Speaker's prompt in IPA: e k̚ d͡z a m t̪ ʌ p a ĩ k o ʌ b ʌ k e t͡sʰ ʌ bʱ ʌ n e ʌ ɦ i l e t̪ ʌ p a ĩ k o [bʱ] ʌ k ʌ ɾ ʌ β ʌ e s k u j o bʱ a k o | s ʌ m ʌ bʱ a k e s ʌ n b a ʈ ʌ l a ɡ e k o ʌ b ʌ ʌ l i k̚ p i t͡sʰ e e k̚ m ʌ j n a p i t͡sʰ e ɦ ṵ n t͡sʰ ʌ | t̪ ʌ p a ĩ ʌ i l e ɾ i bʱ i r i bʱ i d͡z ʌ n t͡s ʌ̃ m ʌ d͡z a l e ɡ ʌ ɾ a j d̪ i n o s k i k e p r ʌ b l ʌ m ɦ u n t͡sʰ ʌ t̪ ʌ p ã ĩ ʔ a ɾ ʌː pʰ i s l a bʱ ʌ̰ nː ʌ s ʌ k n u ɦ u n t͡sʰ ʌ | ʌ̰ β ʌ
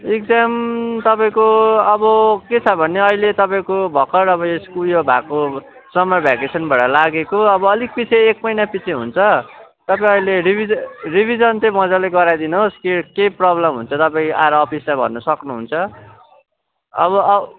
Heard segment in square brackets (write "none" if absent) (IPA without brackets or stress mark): bʱ